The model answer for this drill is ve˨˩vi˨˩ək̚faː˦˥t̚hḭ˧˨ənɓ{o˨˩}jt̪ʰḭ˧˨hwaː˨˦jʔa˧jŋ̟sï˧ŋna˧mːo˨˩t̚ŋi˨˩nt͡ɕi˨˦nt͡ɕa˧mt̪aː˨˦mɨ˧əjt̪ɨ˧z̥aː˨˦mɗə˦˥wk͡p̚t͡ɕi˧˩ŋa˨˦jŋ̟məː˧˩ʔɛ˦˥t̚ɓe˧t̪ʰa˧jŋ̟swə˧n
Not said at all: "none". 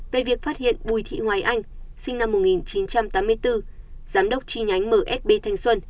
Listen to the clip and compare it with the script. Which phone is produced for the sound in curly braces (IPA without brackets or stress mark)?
u˨˩